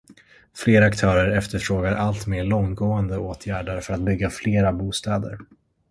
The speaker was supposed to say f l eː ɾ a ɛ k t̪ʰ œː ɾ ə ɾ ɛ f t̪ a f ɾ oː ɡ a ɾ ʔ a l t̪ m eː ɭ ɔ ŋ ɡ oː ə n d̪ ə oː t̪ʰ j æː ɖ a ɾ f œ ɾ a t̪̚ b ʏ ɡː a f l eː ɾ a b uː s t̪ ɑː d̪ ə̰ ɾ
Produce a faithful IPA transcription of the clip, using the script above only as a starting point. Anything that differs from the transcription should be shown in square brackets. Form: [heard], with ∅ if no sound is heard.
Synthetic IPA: f l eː ɾ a [a] k t̪ʰ œː ɾ ə ɾ ɛ f t̪ [ə] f ɾ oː ɡ a ɾ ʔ a l t̪ m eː ɭ ɔ ŋ ɡ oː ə n d̪ ə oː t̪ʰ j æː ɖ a ɾ f œ ɾ a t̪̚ b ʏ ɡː a f l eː ɾ a b uː s t̪ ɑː d̪ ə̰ ɾ

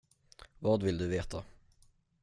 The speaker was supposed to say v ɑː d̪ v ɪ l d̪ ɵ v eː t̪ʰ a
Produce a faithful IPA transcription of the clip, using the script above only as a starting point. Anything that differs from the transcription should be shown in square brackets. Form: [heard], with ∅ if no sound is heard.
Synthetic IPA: v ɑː d̪ v ɪ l d̪ ɵ v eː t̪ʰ a

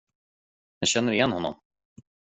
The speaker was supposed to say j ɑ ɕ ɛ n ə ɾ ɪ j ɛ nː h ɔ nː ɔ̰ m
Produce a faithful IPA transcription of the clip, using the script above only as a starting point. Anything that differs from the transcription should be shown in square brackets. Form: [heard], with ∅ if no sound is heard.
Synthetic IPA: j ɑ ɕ ɛ [nː] ə ɾ ɪ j ɛ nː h ɔ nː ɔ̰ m

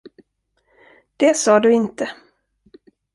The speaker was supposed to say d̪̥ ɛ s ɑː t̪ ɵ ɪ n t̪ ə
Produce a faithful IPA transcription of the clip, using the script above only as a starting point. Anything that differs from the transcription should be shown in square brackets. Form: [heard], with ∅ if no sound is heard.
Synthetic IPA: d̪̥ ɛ s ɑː [d̪] ɵ ɪ n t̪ ə

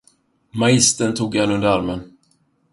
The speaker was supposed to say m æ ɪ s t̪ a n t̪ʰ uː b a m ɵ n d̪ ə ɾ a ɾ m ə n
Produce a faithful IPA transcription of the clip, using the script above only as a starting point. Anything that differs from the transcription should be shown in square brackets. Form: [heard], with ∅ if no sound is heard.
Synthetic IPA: m [a] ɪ s t̪ [ə] n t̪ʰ uː [ɡ] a [n] ɵ n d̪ ə ɾ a ɾ m ə n

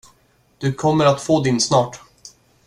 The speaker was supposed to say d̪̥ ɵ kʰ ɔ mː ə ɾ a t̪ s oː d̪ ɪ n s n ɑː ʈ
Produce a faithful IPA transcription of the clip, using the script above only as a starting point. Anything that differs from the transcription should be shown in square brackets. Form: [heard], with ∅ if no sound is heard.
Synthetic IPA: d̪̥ ɵ kʰ ɔ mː ə ɾ a t̪ [f] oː d̪ ɪ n s n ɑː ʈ

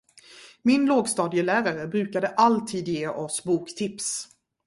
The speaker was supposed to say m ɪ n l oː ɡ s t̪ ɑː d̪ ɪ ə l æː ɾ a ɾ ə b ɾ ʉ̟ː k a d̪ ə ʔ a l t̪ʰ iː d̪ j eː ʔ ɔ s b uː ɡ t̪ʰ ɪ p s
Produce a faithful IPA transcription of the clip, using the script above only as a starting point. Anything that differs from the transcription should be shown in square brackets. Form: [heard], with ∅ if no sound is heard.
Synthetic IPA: m ɪ n l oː ɡ s t̪ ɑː d̪ ɪ ə l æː ɾ a ɾ ə b ɾ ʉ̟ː k a d̪ ə ʔ a l t̪ʰ iː d̪ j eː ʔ ɔ s b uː [k] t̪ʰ ɪ p s

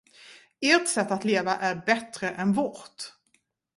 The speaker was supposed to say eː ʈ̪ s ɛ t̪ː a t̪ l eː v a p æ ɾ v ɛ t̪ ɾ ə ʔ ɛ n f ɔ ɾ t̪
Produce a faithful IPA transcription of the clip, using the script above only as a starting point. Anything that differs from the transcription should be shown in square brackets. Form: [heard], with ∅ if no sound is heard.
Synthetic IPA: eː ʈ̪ s ɛ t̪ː a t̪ l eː v a [ʔ] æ ɾ [b] ɛ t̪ ɾ ə ʔ ɛ n [v] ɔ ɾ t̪

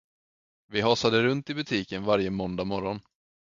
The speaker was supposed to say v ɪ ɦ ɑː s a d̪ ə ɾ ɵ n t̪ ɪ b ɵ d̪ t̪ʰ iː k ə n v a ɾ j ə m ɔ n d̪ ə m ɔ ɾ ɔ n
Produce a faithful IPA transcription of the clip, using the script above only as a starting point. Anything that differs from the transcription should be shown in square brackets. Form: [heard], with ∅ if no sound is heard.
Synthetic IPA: v ɪ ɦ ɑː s a d̪ ə ɾ ɵ n t̪ ɪ b ɵ [∅] t̪ʰ iː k ə n v a ɾ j ə m ɔ n d̪ [a] m ɔ ɾ ɔ n

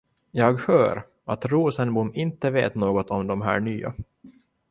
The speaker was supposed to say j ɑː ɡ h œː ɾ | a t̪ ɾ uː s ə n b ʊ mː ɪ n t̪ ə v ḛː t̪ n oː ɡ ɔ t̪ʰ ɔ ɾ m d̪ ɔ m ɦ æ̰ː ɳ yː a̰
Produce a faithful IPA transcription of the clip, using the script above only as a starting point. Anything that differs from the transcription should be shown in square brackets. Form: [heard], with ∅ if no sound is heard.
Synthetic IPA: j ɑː ɡ h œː ɾ | a t̪ ɾ uː s ə n b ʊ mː ɪ n t̪ ə v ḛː t̪ n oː ɡ ɔ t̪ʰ ɔ [∅] m d̪ ɔ m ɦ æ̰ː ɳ yː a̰

